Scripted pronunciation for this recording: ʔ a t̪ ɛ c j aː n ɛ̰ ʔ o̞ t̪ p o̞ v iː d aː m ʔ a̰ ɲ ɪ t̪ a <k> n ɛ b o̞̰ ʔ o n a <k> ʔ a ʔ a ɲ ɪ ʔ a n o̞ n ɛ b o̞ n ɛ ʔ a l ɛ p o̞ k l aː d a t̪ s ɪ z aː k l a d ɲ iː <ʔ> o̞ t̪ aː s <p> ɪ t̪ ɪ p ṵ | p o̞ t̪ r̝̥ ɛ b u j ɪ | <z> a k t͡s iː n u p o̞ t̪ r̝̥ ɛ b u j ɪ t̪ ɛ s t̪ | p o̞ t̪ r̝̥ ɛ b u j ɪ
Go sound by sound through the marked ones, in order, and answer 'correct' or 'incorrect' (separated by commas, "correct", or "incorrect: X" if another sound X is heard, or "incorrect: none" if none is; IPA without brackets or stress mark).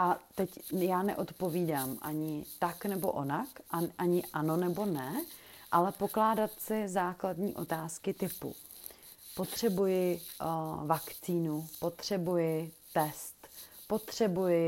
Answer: correct, correct, correct, incorrect: k, incorrect: v